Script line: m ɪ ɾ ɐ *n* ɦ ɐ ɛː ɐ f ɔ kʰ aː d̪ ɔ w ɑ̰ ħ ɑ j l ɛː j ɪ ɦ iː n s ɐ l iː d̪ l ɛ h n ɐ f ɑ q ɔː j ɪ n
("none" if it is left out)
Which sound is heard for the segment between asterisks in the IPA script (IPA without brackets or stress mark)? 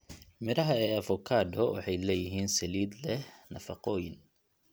none